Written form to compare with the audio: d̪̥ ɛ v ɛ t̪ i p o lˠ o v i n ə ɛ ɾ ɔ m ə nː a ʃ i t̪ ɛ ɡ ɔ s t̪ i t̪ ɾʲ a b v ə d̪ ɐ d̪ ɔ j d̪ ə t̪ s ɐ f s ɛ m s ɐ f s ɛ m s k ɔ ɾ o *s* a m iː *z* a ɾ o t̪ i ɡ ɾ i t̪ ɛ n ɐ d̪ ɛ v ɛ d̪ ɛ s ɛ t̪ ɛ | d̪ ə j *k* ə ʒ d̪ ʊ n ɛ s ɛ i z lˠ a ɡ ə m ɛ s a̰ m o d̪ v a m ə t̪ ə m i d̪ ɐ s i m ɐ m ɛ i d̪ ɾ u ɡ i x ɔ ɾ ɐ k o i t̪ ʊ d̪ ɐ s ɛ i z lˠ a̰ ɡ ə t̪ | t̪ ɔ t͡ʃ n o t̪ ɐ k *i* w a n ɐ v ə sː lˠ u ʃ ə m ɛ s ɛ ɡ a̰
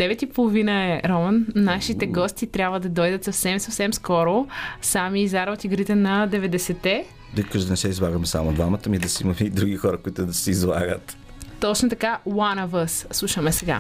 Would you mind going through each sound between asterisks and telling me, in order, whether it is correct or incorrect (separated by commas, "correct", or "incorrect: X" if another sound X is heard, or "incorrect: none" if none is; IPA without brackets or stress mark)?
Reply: correct, correct, correct, incorrect: a